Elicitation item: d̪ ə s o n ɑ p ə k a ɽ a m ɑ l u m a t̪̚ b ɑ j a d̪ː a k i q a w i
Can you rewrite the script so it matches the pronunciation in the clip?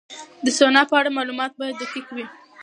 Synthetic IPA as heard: d̪ ə s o n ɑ p ə a ɽ a m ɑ l u m ɑ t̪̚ b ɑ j a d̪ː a k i k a w i